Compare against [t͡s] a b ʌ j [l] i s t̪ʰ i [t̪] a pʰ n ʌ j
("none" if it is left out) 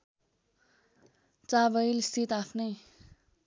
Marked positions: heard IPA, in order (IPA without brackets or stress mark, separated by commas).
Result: t͡s, l, t̪